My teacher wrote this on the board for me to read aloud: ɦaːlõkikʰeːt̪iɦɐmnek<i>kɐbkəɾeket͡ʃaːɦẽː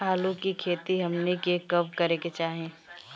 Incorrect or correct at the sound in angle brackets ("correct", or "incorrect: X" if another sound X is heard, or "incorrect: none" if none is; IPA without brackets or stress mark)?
incorrect: e